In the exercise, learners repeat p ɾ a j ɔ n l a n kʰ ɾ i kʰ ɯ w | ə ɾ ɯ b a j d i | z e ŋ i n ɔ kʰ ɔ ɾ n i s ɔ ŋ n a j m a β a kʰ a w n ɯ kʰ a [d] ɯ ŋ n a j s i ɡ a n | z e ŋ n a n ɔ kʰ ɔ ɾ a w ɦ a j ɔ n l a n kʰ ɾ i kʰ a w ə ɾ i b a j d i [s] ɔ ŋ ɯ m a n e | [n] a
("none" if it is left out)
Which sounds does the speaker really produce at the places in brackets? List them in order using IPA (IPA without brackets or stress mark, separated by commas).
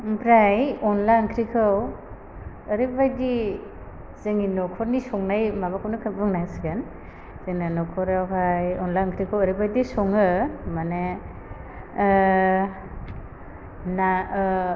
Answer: b, s, n